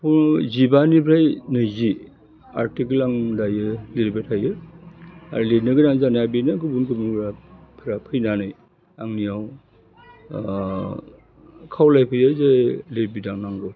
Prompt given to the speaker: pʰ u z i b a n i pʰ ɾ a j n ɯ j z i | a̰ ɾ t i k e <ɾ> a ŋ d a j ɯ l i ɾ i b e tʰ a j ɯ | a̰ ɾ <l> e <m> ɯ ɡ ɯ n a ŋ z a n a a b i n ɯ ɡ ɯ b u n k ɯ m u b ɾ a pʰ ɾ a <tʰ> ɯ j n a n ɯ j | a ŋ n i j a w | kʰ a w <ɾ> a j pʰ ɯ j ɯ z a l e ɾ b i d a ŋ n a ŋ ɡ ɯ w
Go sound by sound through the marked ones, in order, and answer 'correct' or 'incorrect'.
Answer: incorrect: l, correct, incorrect: n, incorrect: pʰ, incorrect: l

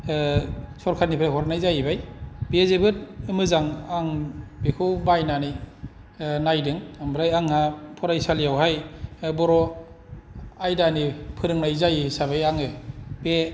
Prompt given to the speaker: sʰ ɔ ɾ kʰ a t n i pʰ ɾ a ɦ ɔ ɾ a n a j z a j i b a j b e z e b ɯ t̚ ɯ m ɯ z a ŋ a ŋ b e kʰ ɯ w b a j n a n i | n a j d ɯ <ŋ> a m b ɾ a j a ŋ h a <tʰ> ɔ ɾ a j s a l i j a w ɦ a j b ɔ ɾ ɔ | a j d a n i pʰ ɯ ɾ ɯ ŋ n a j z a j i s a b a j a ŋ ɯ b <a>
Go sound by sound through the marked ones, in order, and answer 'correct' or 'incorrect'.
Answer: correct, incorrect: pʰ, incorrect: e

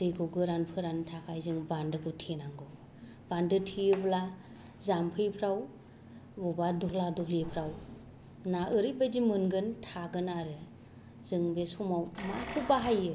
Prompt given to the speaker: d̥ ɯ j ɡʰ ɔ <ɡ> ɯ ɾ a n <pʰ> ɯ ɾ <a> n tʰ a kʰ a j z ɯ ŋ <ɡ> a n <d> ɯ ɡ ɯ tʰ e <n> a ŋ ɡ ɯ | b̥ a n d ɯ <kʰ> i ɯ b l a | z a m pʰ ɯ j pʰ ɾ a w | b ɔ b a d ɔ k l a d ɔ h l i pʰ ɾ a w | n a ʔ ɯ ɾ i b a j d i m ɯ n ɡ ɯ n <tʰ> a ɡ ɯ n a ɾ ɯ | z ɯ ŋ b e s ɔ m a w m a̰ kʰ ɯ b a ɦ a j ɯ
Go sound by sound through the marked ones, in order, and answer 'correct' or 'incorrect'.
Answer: correct, correct, correct, incorrect: b, correct, correct, incorrect: tʰ, correct

